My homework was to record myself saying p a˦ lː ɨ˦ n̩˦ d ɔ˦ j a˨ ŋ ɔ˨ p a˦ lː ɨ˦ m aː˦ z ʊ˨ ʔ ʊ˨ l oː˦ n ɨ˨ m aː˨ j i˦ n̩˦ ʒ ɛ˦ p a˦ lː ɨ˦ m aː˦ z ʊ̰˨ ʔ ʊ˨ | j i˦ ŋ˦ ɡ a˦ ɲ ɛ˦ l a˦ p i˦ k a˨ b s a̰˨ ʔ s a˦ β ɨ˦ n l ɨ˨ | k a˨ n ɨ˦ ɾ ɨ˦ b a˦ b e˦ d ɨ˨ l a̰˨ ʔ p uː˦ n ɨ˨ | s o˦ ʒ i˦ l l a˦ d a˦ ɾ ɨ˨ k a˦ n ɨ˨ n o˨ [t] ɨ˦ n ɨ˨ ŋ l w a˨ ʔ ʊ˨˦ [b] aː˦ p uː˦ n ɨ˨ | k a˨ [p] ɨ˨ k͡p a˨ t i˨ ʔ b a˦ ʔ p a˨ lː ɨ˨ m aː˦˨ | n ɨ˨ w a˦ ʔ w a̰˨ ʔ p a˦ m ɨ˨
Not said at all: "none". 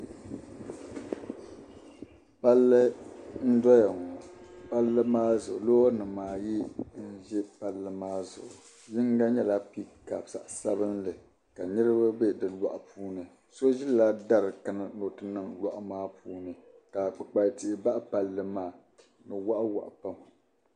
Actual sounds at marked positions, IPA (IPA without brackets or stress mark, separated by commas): t, m, k͡p